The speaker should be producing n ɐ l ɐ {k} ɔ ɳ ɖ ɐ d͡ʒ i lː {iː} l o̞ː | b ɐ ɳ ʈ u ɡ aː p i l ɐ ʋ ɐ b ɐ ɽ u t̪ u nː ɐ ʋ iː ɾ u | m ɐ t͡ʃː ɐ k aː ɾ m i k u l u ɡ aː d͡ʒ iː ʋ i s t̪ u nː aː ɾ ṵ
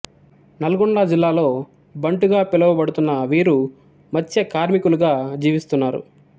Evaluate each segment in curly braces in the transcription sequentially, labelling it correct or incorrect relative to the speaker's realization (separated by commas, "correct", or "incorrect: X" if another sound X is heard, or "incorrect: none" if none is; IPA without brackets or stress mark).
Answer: incorrect: ɡ, incorrect: aː